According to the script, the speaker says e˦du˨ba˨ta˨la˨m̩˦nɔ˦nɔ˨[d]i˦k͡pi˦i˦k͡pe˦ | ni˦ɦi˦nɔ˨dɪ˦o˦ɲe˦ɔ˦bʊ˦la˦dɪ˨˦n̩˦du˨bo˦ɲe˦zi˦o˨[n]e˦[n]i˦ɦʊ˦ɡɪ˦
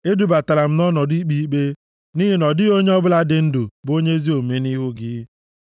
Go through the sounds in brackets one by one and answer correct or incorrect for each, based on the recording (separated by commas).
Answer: correct, incorrect, correct